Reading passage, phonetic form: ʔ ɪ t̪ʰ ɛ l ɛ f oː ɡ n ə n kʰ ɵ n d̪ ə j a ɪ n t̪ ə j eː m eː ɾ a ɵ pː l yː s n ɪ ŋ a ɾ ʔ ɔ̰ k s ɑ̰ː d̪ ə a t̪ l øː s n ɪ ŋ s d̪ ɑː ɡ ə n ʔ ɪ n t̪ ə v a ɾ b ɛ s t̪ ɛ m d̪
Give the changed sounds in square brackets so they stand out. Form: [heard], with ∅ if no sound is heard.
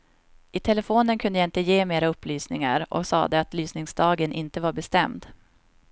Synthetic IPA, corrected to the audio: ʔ ɪ t̪ʰ ɛ l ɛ f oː [∅] n ə n kʰ ɵ n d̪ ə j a ɪ n t̪ ə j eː m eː ɾ a ɵ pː l yː s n ɪ ŋ a ɾ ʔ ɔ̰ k s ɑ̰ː d̪ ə a t̪ l [yː] s n ɪ ŋ s d̪ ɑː ɡ ə n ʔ ɪ n t̪ ə v a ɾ b ɛ s t̪ ɛ m d̪